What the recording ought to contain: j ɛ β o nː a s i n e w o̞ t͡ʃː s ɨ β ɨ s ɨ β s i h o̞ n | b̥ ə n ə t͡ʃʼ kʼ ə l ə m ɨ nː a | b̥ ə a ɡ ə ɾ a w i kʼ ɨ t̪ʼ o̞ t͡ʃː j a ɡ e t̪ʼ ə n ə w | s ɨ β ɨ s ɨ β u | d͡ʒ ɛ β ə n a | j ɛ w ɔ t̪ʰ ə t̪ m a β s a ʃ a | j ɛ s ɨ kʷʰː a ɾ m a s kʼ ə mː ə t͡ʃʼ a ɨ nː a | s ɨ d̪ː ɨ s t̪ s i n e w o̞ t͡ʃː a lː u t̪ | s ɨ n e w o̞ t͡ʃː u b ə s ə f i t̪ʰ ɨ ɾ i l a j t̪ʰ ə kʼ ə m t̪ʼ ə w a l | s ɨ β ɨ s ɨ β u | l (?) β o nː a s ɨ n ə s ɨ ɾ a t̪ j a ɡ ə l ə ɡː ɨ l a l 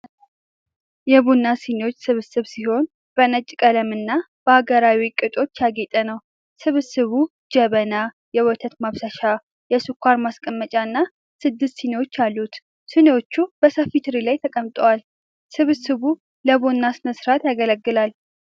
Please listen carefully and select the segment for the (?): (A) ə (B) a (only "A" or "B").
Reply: A